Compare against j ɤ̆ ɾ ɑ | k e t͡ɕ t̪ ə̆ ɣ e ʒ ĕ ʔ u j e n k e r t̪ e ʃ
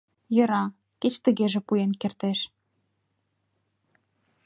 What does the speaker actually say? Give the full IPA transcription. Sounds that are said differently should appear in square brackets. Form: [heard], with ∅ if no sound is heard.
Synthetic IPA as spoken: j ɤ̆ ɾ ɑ | k e t͡ɕ t̪ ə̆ ɣ e ʒ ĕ [p] u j e n k e r t̪ e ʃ